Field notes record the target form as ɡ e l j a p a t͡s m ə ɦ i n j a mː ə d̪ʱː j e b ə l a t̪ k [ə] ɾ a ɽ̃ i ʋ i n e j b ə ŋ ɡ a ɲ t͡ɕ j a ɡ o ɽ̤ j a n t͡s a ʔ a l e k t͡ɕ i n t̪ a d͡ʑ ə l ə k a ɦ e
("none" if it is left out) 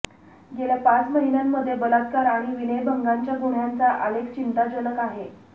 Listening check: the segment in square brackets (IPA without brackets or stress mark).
a